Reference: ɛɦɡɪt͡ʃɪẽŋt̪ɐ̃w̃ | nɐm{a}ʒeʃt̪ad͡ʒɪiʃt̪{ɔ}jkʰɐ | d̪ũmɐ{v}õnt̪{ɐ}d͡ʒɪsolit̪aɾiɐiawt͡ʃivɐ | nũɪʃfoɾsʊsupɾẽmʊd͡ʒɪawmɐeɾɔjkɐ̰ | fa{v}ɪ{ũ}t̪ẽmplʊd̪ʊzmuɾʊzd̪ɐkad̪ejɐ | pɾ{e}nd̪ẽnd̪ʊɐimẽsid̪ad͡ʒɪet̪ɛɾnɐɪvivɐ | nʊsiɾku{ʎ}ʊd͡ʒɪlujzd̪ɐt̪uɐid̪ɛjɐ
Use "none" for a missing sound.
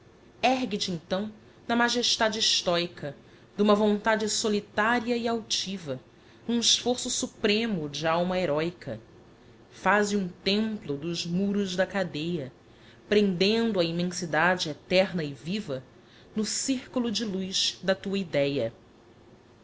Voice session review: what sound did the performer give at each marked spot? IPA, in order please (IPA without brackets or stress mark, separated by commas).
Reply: a, ɔ, v, a, z, ũ, ẽ, l